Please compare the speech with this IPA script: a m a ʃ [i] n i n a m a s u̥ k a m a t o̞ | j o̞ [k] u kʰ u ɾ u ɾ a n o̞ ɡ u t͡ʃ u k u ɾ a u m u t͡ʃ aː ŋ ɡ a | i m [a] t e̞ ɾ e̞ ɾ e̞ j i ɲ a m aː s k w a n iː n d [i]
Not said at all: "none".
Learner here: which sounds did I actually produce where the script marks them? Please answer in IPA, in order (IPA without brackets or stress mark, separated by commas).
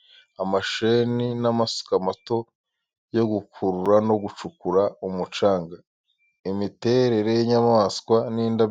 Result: e, ɡ, i, a